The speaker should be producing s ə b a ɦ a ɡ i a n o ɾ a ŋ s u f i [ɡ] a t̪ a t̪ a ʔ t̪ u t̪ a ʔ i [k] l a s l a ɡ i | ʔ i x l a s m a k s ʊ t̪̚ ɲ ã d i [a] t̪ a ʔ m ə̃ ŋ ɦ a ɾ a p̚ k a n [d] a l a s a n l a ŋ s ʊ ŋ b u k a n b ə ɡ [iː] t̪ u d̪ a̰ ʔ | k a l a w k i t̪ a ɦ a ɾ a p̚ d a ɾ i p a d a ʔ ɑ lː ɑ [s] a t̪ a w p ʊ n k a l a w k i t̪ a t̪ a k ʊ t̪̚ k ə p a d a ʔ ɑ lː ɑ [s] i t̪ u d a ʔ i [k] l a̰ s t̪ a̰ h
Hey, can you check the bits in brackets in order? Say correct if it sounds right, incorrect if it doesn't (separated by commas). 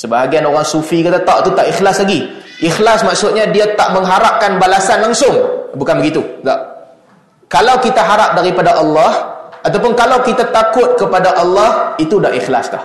incorrect, incorrect, correct, incorrect, incorrect, incorrect, incorrect, incorrect